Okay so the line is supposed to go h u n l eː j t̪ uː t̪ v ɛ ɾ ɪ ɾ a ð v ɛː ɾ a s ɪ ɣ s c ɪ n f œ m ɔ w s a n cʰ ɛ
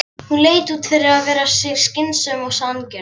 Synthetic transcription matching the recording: h u n l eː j t̪ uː t̪ f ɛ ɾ ɪ ɾ a ð v ɛː ɾ a s ɪ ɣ s c ɪ n s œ m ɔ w s a n c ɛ